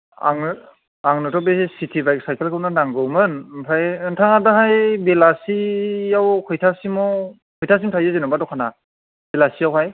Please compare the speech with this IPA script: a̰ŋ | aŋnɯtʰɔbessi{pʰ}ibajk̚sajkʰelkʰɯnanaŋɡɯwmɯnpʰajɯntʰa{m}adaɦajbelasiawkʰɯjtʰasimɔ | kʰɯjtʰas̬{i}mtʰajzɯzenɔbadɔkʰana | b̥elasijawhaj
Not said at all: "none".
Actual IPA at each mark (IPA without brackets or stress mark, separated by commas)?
tʰ, ŋ, i